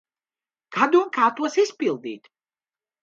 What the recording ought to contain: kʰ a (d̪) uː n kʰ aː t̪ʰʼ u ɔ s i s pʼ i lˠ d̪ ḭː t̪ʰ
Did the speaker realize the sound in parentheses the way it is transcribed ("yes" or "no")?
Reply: yes